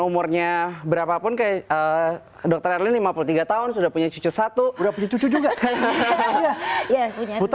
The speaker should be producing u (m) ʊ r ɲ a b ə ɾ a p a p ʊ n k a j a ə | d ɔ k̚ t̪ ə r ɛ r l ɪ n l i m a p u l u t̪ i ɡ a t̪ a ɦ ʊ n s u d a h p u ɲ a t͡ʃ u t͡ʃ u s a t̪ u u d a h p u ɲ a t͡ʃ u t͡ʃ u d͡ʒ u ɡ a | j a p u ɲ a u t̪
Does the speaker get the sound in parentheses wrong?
no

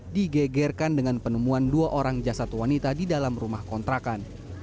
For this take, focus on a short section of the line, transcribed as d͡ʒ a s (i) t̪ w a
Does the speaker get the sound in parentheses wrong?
yes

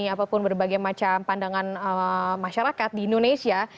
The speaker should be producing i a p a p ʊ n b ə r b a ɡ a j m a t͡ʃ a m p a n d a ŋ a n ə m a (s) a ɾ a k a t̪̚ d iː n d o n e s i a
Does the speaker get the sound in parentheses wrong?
yes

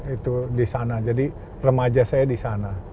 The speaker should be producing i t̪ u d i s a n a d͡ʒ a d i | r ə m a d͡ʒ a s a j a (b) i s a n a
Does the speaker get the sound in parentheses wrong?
yes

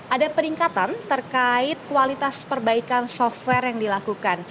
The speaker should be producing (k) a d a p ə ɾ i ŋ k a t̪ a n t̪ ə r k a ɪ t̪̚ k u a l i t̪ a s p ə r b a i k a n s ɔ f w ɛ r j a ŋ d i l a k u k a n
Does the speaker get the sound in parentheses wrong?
yes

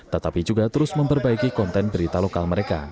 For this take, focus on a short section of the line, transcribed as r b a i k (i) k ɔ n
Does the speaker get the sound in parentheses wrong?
no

